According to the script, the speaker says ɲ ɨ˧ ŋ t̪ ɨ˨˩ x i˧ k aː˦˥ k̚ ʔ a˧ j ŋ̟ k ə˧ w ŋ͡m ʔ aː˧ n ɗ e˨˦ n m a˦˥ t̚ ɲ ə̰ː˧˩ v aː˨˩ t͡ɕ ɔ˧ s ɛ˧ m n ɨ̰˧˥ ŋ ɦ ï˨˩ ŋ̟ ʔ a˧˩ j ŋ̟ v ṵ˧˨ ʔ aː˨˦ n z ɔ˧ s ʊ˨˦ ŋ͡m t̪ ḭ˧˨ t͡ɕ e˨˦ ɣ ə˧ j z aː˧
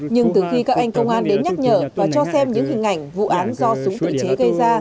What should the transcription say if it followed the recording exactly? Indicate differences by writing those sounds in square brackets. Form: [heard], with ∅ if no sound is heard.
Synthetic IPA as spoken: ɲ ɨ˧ ŋ t̪ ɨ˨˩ x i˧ k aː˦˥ k̚ ʔ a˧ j ŋ̟ k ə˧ w ŋ͡m ʔ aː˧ n ɗ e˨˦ n [ɲ] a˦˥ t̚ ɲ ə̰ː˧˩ v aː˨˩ t͡ɕ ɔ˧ s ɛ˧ m [ɲ] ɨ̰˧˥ ŋ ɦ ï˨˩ ŋ̟ ʔ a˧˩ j ŋ̟ v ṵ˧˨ ʔ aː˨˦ n z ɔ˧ s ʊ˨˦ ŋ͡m t̪ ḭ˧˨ t͡ɕ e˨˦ ɣ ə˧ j z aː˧